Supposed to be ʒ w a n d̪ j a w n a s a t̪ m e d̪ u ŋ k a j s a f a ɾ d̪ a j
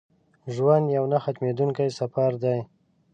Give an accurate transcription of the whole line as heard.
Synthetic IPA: ʒ w a n d̪ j a w n a x a t̪ m e d̪ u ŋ k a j s a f a ɾ d̪ a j

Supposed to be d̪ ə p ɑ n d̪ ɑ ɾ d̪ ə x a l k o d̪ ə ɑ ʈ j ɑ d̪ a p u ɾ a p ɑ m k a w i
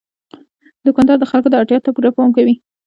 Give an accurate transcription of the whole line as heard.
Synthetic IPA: d̪ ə k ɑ n d̪ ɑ ɾ d̪ ə x a l k o d̪ ə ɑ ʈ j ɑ t̪ a p u ɾ a p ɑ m k a w i

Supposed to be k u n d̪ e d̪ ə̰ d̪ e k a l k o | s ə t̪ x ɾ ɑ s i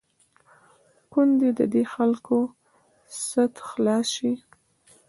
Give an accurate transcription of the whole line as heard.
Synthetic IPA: k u n d̪ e d̪ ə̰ d̪ e x a l k o | s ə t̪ x l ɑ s i

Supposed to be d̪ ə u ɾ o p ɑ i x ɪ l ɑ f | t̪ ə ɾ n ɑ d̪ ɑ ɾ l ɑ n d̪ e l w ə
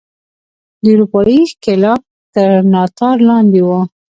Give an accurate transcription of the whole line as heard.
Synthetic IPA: d̪ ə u ɾ u p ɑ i k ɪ l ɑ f | t̪ ə ɾ n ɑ t̪ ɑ ɾ l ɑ n d̪ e w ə

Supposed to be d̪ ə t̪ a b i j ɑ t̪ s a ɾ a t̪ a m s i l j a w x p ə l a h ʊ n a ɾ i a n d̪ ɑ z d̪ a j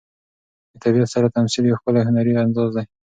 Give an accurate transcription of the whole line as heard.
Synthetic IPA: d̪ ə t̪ a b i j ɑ t̪ s a ɾ a t̪ a m s i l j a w x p ə l a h ʊ n a ɾ i a n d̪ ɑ z d̪ a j

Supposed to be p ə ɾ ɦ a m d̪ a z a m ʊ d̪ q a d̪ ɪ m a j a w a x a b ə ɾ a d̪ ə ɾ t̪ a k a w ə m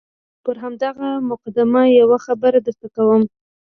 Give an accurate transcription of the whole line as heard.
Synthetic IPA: p ə ɾ ɦ a m d̪ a ɣ a m ʊ q a d̪ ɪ m a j a w a x a b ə ɾ a d̪ ə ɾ t̪ a k a w ə m

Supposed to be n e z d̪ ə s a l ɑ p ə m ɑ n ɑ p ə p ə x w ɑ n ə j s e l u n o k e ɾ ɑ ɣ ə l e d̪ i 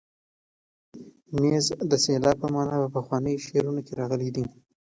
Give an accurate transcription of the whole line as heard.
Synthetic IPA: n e z d̪ ə s e l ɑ p ə m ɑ n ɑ p ə p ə x w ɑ n ə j ʃ e ɾ u n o k e ɾ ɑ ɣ ə l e d̪ i

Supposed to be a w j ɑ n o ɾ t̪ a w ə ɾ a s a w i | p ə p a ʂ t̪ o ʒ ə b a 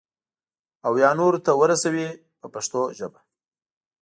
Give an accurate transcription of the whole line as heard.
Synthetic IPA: a w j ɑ n o ɾ t̪ a w ə ɾ a s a w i | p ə p a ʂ t̪ o ʒ ə b a

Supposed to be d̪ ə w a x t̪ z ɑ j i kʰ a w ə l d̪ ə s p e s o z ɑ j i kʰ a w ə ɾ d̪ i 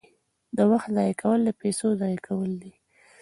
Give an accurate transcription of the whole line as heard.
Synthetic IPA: d̪ ə w a x t̪ z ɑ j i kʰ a w ə l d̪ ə p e s o z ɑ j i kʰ a w ə l d̪ i

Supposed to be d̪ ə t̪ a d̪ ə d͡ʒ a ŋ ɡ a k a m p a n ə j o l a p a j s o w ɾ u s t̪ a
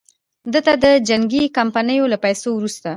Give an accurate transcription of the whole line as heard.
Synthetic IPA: d̪ ə t̪ a d̪ ə d͡ʒ a ŋ ɡ i k a m p a n ə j o l a p a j s o w ɾ u s t̪ a

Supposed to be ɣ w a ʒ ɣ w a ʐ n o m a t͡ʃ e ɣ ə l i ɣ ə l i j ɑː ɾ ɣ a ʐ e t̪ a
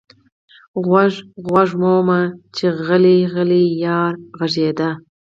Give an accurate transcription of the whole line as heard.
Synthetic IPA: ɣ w a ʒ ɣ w a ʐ m o m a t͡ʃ e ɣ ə l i ɣ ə l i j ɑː ɾ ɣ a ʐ e d̪ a

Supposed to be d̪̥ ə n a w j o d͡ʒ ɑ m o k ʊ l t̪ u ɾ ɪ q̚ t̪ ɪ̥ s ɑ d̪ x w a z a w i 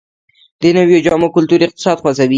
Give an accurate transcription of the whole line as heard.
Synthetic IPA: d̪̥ ə n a w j o d͡ʒ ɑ m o k ʊ l t̪ u ɾ ɪ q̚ t̪ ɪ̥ s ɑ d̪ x w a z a w i

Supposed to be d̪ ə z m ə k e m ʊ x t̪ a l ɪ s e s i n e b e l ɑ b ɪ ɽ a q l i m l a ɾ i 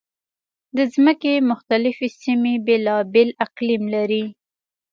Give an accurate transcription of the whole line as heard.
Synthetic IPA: d̪ ə z m ə k e m ʊ x t̪ a l ɪ f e s i m e b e l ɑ b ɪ l a q l i m l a ɾ i

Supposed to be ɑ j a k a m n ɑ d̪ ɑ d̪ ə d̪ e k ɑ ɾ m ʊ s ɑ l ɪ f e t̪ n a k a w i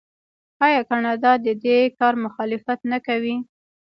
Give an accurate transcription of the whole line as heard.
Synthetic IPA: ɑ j ɑ k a n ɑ d̪ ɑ d̪ ə d̪ e k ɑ ɾ m ʊ x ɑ l ɪ f a t̪ n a k a w i

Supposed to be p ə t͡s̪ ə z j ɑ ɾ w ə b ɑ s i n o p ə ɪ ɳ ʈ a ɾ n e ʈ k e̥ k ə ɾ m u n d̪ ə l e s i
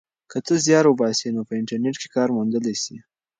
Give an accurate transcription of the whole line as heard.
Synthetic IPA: k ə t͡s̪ ə z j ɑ ɾ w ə b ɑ s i n o p ə ɪ ɳ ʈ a ɾ n e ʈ k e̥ k ɑ ɾ m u n d̪ ə l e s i

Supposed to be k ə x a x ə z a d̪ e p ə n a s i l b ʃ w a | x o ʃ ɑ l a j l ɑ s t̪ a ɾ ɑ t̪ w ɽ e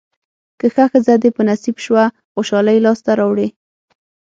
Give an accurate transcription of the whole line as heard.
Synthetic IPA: k ə x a x ə z a d̪ e p ə n a s i b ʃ w a | x o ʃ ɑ l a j l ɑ s t̪ a ɾ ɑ w ɽ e

